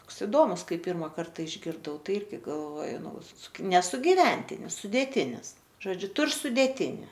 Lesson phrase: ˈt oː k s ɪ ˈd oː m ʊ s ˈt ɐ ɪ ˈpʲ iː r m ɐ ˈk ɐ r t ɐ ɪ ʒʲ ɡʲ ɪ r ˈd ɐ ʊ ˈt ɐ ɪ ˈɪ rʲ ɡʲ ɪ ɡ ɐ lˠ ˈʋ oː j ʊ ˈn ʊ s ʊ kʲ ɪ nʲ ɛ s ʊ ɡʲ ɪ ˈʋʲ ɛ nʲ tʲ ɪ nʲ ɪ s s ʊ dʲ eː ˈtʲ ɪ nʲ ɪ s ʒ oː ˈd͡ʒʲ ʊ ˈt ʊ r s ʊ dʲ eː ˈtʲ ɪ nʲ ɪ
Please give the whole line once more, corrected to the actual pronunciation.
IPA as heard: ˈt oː k s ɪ ˈd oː m ʊ s ˈk ɐ ɪ ˈpʲ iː r m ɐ ˈk ɐ r t ɐ ɪ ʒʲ ɡʲ ɪ r ˈd ɐ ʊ ˈt ɐ ɪ ˈɪ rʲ ɡʲ ɪ ɡ ɐ lˠ ˈʋ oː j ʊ ˈn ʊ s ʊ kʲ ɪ nʲ ɛ s ʊ ɡʲ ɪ ˈʋʲ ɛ nʲ tʲ ɪ nʲ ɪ s s ʊ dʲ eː ˈtʲ ɪ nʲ ɪ s ʒ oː ˈd͡ʒʲ ʊ ˈt ʊ r s ʊ dʲ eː ˈtʲ ɪ nʲ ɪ